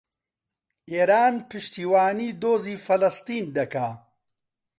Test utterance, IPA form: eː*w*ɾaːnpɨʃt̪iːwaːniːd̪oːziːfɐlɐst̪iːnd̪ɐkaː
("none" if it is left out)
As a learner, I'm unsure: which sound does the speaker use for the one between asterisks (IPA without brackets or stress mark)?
none